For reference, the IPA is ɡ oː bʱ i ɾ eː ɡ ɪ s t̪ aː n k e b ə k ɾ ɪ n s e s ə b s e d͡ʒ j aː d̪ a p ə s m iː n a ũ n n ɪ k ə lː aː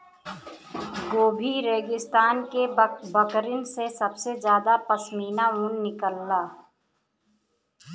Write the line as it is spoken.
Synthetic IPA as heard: ɡ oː bʱ i ɾ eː ɡ ɪ s t̪ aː n k e b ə k ɾ ɪ n s e s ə b s e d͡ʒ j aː d̪ a p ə s m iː n a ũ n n ɪ k ə lː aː